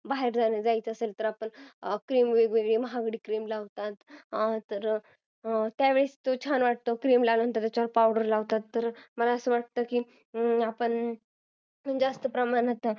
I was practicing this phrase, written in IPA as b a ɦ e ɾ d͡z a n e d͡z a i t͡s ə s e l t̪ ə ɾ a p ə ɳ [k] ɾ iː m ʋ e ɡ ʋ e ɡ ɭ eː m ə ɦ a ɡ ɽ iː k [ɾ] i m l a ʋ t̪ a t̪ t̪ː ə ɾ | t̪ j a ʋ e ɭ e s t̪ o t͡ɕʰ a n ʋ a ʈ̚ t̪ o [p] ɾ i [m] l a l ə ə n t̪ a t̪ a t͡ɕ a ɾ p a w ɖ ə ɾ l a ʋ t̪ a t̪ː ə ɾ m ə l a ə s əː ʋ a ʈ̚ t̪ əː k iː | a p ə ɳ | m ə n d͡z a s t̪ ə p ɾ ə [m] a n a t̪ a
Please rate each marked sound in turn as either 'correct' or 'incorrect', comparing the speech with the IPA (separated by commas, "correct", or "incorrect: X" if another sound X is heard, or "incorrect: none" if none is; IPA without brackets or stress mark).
correct, correct, incorrect: k, correct, correct